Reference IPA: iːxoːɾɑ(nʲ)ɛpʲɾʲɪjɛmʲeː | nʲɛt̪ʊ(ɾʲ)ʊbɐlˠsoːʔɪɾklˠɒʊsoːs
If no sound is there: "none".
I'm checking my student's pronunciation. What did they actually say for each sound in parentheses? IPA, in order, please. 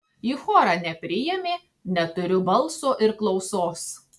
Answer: nʲ, ɾʲ

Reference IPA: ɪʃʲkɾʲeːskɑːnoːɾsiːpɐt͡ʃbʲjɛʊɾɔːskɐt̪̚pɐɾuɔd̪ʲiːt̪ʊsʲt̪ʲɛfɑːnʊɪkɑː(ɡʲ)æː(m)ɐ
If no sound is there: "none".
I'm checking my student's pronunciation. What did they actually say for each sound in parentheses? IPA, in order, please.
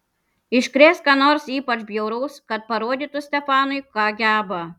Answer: ɡʲ, b

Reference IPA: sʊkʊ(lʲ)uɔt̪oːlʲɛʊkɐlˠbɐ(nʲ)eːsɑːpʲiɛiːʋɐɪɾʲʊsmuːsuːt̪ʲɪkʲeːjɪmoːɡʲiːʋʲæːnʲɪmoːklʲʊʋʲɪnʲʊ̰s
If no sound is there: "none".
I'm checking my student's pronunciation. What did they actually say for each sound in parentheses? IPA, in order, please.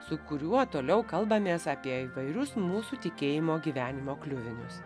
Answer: ɾʲ, mʲ

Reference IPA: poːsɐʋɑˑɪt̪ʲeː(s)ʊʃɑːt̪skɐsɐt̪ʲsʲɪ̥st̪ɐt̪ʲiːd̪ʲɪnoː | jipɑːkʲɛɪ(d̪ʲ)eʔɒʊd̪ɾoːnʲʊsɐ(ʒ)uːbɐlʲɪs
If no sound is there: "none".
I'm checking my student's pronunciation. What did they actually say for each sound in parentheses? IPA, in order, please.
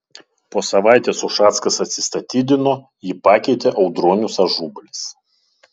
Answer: s, t̪ʲ, ʒ

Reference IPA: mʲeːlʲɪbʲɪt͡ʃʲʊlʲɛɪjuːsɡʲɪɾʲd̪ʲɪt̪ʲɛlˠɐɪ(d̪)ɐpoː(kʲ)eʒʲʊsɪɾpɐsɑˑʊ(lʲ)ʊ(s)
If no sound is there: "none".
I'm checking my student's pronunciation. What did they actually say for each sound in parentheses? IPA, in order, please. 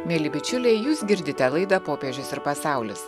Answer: d̪, pʲ, lʲ, s

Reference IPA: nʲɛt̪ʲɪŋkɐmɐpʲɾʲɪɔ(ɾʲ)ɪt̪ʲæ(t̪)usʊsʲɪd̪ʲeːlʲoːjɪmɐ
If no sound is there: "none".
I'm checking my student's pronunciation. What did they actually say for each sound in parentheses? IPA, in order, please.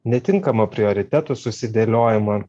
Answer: ɾʲ, t̪

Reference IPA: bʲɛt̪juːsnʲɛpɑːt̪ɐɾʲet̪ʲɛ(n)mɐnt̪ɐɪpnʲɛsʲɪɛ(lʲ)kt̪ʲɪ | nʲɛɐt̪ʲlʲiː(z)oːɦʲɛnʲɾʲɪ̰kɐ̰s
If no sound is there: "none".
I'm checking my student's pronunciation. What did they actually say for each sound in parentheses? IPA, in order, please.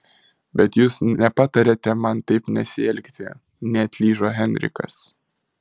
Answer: none, lʲ, ʒ

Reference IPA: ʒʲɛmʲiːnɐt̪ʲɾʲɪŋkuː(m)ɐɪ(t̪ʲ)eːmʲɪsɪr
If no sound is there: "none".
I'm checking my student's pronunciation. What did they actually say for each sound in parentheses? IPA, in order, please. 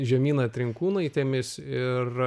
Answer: n, t̪ʲ

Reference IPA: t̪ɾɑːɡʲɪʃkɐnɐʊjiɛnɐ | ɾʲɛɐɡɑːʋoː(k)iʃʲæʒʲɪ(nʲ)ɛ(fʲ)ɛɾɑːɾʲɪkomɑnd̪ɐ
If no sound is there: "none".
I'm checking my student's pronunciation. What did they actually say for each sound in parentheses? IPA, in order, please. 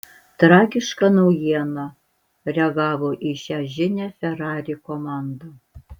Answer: ʔ, nʲ, fʲ

